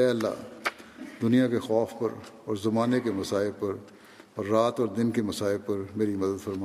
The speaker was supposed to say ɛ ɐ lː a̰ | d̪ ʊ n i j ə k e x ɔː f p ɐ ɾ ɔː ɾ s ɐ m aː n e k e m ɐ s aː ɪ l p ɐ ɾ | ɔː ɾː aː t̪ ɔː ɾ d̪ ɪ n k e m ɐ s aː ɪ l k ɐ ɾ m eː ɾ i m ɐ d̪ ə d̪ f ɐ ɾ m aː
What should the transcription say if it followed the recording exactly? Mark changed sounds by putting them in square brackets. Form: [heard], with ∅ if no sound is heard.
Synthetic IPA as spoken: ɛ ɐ lː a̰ | d̪ ʊ n i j [a] k e x ɔː f p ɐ ɾ ɔː ɾ [z] ɐ m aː n e k e m ɐ s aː ɪ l p ɐ ɾ | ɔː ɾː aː t̪ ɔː ɾ d̪ ɪ n k e m ɐ s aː ɪ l [p] ɐ ɾ m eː ɾ i m ɐ d̪ ə d̪ f ɐ ɾ m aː